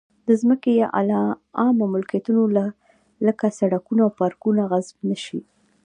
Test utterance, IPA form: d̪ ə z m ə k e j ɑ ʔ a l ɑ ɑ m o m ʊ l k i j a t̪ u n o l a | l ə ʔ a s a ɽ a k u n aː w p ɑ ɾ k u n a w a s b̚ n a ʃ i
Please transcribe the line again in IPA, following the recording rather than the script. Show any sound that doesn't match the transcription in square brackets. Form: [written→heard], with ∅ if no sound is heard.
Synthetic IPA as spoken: d̪ ə z m ə k e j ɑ ʔ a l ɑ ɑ m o m ʊ l k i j a t̪ u n o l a | l ə [ʔ→k] a s a ɽ a k u n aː w p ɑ ɾ k u n a [w→ɣ] a [s→z] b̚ n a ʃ i